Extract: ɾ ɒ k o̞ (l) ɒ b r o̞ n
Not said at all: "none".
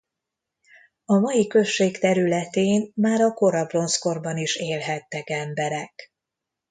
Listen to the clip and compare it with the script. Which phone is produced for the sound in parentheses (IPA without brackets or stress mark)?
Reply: ɾ